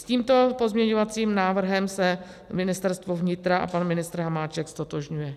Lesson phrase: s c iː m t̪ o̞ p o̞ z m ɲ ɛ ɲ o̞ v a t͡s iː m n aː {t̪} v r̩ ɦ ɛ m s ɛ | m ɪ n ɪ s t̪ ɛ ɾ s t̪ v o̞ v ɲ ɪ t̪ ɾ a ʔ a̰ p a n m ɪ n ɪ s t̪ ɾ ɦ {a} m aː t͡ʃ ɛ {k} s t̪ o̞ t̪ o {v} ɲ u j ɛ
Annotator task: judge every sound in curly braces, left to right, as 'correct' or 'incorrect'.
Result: incorrect: none, correct, correct, incorrect: ʒ

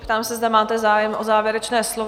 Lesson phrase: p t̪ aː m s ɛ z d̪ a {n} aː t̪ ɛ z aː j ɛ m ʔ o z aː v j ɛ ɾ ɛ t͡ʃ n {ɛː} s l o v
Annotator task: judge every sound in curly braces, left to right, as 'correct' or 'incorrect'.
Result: incorrect: m, correct

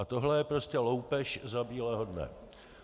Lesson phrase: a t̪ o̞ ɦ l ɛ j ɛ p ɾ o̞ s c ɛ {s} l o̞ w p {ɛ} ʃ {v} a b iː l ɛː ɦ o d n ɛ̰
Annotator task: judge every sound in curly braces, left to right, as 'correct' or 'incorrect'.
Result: incorrect: none, correct, incorrect: z

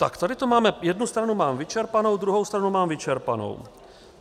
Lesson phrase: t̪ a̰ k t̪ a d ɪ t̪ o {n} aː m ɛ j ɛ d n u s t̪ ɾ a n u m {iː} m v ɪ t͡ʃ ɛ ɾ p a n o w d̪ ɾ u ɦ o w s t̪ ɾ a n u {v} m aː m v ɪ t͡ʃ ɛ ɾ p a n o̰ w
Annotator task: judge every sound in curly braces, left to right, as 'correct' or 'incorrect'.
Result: incorrect: m, incorrect: aː, incorrect: none

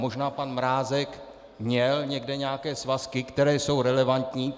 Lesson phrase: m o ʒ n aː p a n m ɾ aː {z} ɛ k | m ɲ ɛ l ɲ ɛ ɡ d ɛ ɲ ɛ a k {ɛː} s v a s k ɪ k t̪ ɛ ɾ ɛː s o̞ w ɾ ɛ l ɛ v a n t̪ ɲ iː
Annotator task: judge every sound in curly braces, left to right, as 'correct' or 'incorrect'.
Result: correct, correct

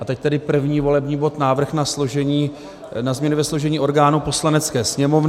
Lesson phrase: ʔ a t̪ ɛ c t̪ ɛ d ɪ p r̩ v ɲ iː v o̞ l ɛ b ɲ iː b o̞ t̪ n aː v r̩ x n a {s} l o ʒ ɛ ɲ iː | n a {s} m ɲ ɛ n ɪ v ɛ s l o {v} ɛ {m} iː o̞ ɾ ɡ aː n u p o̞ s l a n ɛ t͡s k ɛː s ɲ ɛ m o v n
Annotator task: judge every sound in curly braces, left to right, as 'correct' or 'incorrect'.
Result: correct, incorrect: z, incorrect: ʒ, incorrect: ɲ

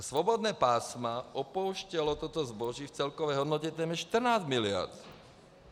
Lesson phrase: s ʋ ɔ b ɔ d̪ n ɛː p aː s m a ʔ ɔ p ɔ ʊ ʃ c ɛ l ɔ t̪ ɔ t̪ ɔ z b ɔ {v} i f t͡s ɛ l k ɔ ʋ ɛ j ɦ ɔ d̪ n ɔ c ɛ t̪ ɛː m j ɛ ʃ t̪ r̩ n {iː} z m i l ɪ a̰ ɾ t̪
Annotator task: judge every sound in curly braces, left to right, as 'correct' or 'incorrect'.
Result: incorrect: ʒ, incorrect: aː

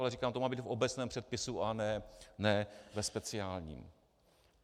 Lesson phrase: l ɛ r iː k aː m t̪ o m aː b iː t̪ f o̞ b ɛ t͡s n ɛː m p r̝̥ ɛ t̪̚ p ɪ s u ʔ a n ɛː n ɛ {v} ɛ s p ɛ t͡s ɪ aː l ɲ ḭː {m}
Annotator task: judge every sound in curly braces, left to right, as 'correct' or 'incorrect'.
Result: correct, correct

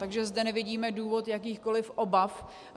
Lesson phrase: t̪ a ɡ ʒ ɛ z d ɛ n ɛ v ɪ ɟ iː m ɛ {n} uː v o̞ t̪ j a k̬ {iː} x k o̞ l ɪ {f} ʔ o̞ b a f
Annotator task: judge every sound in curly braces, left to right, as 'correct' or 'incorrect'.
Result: incorrect: d, correct, correct

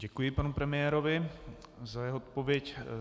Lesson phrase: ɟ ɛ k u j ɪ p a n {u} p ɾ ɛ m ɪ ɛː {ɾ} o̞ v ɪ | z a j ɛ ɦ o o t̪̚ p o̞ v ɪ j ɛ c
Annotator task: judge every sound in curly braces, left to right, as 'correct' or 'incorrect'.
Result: correct, correct

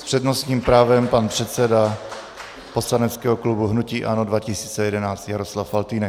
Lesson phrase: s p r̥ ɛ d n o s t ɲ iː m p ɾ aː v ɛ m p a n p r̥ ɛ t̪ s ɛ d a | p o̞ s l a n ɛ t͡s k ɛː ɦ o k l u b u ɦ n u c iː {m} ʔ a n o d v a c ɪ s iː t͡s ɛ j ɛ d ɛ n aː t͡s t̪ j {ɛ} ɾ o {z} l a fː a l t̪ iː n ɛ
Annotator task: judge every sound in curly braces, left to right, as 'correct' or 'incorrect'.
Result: incorrect: none, incorrect: a, incorrect: s

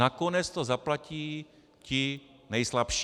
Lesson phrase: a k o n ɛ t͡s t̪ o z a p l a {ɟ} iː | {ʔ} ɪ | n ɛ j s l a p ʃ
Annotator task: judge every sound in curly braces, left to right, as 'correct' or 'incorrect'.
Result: incorrect: c, incorrect: c

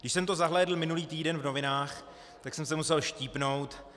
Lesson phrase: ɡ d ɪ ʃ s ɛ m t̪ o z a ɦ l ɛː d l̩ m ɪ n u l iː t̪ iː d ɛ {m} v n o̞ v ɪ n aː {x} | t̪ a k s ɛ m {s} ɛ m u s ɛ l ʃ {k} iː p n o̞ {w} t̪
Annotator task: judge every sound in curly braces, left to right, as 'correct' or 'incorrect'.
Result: incorrect: n, correct, correct, incorrect: c, correct

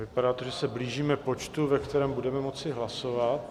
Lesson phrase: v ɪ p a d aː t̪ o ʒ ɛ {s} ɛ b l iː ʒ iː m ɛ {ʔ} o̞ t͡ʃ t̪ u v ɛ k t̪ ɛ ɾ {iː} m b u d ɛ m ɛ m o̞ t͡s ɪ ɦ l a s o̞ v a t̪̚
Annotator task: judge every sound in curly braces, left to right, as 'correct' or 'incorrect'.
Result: correct, incorrect: p, incorrect: ɛː

